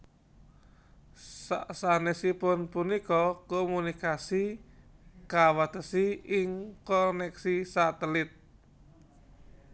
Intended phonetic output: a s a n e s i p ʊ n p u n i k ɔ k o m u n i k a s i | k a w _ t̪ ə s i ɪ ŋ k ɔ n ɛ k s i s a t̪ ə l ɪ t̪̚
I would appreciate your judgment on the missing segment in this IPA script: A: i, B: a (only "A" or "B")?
B